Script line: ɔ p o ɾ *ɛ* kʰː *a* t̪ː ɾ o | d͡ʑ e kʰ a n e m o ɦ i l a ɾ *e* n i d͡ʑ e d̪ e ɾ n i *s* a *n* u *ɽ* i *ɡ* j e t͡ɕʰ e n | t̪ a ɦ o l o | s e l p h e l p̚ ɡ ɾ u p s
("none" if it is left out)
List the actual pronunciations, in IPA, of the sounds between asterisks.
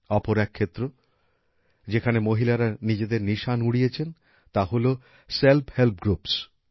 ɛ, e, a, ʃ, n, ɽ, none

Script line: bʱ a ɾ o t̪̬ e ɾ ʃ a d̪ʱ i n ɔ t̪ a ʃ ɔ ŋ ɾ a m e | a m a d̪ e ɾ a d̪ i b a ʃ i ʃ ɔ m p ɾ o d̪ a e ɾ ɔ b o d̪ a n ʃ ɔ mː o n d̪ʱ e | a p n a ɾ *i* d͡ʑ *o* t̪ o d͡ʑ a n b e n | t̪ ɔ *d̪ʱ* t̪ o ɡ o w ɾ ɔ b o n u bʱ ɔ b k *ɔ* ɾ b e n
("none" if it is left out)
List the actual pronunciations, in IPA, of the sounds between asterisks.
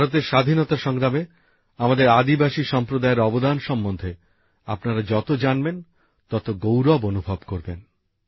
a, ɔ, none, o

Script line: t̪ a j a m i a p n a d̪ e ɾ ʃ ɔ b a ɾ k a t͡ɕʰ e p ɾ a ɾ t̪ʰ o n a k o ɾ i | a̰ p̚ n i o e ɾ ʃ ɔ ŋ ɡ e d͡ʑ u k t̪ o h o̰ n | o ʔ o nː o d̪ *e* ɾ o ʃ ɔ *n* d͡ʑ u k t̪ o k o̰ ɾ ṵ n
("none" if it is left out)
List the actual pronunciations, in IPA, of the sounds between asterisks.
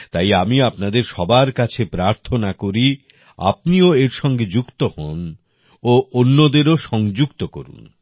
e, ŋ

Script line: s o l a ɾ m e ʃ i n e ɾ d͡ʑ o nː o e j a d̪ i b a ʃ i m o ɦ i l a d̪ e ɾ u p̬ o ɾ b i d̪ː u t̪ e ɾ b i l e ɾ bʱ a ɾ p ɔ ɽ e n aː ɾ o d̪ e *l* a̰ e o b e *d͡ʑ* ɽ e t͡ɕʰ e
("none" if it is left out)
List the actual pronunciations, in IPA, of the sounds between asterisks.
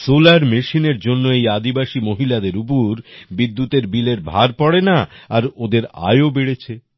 ɾ, none

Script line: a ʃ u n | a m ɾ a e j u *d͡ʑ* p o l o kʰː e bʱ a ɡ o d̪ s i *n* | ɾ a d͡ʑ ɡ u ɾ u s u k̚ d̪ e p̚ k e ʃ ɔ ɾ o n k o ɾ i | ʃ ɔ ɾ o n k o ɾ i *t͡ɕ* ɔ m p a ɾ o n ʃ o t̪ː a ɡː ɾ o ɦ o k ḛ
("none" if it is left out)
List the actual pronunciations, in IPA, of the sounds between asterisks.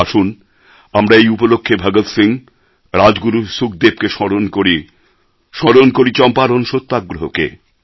none, ŋ, t͡ɕ

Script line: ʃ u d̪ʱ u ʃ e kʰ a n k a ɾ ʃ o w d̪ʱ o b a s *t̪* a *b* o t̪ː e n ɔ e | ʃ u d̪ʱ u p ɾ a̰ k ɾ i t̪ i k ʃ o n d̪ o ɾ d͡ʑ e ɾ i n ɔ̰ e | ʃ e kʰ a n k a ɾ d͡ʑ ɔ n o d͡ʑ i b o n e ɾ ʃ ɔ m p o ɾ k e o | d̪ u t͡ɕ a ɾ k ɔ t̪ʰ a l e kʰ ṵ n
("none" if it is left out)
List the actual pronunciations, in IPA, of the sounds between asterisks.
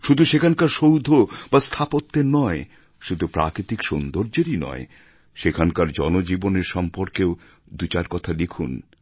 t̪ʰ, p

